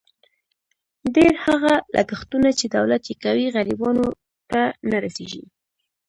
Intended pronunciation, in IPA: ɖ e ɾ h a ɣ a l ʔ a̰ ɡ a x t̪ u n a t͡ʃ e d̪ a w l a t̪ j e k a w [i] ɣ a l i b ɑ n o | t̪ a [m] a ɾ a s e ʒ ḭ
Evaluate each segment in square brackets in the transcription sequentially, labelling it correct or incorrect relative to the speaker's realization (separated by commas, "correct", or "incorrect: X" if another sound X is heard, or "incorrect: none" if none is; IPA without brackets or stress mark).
correct, incorrect: n